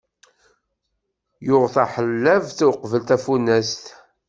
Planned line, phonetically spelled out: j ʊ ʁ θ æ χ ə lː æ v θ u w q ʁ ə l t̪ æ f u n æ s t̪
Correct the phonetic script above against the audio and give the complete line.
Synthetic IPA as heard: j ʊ ʁ θ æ ħ ə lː æ v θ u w q v ə l t̪ æ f u n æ s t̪